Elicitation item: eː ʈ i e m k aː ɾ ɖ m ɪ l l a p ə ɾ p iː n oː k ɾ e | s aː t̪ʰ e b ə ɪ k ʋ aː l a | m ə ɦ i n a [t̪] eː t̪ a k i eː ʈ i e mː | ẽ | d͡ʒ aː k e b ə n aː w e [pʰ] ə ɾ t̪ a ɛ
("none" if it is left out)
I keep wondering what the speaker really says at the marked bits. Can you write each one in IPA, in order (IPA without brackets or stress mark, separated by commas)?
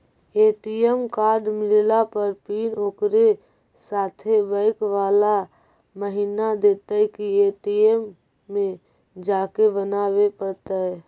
d̪, p